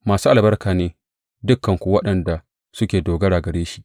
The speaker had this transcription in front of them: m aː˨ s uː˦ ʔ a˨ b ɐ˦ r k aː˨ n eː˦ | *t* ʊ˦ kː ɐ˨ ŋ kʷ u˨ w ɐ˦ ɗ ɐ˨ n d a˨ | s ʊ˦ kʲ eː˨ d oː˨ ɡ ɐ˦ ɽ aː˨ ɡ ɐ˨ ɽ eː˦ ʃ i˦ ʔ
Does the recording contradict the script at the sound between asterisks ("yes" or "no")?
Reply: yes